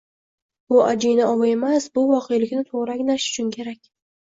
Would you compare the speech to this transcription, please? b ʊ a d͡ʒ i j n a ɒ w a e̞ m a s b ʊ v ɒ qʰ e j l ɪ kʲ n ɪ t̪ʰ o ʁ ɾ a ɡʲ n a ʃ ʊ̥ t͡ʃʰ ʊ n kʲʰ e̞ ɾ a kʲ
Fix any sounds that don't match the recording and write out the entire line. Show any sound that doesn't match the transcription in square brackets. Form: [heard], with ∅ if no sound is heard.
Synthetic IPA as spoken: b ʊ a d͡ʒ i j n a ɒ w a e̞ m a s b ʊ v ɒ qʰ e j l ɪ kʲ n ɪ t̪ʰ o ʁ ɾ a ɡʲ n a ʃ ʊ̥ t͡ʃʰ ʊ n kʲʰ e̞ ɾ a kʲ